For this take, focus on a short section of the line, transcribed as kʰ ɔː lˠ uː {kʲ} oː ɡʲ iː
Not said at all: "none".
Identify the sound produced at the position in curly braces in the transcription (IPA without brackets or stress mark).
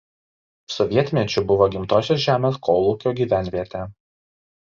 kʲ